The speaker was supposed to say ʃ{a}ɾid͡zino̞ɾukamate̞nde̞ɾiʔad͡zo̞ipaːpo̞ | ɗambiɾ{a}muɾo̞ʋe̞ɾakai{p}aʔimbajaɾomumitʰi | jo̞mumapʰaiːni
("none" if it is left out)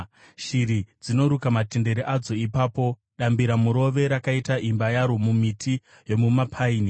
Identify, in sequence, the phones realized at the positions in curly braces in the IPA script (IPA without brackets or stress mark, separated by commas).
i, a, t